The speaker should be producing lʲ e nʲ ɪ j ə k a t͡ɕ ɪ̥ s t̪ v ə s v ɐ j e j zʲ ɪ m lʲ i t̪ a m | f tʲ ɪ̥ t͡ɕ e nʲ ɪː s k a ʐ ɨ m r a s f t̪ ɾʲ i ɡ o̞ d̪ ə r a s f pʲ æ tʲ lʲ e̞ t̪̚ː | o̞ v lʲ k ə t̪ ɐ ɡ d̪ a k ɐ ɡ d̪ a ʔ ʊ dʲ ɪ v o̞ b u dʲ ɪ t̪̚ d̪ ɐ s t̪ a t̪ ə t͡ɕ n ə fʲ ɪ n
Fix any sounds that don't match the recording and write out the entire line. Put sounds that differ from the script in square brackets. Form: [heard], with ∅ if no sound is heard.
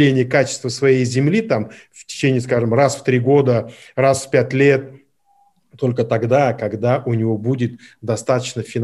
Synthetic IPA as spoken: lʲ e nʲ ɪ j ə k a t͡ɕ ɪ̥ s t̪ v ə s v ɐ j e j zʲ ɪ m lʲ i t̪ a m | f tʲ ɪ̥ t͡ɕ e nʲ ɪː s k a ʐ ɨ m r a s f t̪ ɾʲ i ɡ o̞ d̪ ə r a s f pʲ æ tʲ lʲ e̞ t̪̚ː | o̞ [∅] lʲ k ə t̪ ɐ ɡ d̪ a k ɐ ɡ d̪ a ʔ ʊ [nʲ] ɪ v o̞ b u dʲ ɪ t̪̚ d̪ ɐ s t̪ a t̪ ə t͡ɕ n ə fʲ ɪ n